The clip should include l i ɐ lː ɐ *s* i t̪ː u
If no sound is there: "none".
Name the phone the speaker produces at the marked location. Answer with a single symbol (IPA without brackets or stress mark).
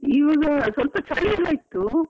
none